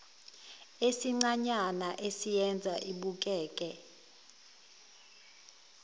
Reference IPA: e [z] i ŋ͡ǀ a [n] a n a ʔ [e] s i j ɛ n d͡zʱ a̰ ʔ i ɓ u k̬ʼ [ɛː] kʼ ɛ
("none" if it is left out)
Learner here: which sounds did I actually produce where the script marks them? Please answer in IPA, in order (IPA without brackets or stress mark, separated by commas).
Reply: s, ɲ, e, ɛː